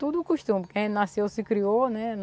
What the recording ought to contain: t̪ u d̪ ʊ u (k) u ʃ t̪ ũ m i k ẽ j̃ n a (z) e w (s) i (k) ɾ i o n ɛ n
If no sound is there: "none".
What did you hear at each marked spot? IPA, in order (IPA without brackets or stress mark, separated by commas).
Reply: k, s, s, k